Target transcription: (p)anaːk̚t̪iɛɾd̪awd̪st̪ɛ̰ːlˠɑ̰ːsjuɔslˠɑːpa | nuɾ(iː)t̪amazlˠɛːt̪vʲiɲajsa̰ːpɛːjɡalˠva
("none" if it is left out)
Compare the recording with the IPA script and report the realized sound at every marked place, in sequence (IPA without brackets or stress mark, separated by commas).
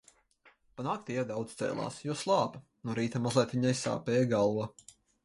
p, iː